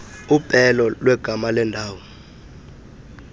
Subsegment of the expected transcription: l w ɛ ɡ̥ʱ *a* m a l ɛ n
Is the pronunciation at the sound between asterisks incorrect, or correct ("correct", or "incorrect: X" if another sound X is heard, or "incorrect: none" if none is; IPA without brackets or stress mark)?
correct